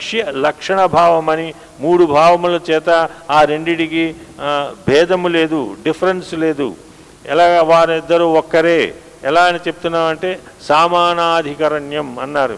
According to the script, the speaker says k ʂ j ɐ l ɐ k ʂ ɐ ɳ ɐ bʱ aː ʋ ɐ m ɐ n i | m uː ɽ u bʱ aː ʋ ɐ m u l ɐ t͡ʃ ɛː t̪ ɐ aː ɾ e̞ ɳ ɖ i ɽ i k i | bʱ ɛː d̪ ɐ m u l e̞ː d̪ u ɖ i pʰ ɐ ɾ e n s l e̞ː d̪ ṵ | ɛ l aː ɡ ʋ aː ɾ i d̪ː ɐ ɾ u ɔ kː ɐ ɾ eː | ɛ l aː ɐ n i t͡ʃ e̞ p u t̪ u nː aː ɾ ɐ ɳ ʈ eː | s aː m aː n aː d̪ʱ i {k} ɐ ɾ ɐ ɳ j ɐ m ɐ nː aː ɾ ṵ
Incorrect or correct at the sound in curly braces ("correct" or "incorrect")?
correct